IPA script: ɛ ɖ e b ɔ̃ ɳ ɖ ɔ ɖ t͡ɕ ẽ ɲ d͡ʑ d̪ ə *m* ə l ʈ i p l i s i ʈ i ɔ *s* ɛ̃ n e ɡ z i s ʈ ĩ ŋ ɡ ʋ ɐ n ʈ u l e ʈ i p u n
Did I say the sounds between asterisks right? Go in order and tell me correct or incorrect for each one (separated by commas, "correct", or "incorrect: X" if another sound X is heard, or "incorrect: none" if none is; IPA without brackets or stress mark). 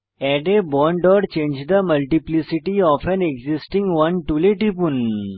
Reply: correct, incorrect: f